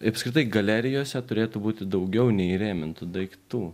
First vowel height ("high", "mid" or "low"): low